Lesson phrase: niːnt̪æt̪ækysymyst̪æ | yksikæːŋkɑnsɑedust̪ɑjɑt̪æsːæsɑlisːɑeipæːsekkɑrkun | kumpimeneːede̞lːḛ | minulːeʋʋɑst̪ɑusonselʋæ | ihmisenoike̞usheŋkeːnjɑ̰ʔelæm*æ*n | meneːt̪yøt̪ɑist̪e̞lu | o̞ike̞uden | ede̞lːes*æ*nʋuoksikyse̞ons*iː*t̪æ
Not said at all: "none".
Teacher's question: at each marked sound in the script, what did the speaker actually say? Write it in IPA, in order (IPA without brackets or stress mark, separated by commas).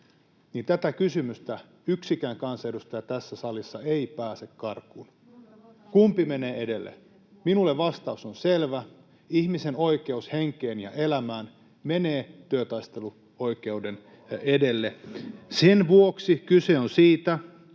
æː, e, iː